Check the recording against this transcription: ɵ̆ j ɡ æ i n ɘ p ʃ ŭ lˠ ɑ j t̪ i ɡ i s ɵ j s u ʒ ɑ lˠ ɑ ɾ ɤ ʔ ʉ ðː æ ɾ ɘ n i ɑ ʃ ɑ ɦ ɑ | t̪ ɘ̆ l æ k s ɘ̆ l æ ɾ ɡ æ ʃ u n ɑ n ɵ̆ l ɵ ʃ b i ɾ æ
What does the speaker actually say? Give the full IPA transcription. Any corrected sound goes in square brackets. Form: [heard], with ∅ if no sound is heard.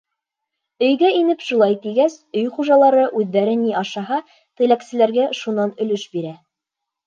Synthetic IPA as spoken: ɵ̆ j ɡ æ i n ɘ p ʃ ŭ lˠ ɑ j t̪ i ɡ [æ] s ɵ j [χ] u ʒ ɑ lˠ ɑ ɾ ɤ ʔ ʉ ðː æ ɾ ɘ n i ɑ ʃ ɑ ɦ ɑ | t̪ ɘ̆ l æ k s ɘ̆ l æ ɾ ɡ æ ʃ u n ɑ n ɵ̆ l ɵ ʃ b i ɾ æ